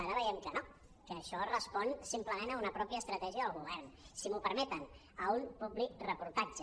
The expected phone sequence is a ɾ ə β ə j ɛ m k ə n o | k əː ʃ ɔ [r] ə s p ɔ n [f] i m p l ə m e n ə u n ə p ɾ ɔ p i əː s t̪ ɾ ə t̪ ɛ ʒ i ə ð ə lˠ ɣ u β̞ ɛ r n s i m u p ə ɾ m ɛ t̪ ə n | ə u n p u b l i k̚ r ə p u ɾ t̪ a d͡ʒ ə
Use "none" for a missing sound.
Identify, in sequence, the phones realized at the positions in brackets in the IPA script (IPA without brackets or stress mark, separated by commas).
r, s